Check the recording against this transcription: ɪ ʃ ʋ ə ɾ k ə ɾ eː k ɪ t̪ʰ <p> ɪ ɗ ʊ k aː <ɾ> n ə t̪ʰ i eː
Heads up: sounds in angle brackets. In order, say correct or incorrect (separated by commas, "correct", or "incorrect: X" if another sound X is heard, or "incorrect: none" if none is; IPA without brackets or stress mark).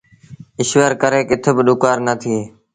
incorrect: b, correct